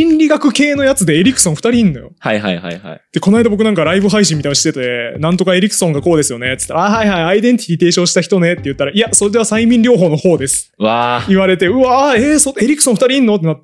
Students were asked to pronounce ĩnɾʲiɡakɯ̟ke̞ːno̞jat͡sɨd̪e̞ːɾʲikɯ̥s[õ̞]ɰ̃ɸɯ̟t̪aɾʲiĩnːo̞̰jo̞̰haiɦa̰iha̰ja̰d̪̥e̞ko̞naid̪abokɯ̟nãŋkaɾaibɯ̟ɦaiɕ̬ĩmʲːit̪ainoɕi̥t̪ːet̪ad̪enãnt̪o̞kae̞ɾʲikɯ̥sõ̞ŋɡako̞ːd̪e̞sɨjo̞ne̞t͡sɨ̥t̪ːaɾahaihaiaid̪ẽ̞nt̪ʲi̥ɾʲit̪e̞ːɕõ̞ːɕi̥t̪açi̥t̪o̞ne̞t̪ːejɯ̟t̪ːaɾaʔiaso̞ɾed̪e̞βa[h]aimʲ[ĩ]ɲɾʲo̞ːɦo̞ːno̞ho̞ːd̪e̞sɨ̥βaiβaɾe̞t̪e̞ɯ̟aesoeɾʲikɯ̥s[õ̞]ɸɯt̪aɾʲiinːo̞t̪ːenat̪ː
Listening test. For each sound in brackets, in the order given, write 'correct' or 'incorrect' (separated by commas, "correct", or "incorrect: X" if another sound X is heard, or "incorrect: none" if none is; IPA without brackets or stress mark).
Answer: correct, incorrect: s, correct, correct